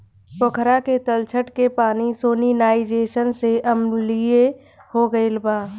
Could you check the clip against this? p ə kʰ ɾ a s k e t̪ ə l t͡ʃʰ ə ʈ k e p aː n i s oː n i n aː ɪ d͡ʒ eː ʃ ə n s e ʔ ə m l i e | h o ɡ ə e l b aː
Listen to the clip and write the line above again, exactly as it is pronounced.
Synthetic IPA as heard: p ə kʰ ɾ a k e t̪ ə l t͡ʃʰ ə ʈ k e p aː n i s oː n i n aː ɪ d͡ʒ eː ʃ ə n s e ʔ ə m l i e | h o ɡ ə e l b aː